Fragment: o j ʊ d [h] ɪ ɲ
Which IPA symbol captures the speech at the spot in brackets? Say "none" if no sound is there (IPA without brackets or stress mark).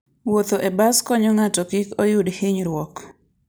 h